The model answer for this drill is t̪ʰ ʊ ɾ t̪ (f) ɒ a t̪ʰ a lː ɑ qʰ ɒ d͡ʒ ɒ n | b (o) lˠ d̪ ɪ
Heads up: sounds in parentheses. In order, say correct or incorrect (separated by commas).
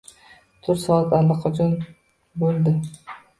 incorrect, correct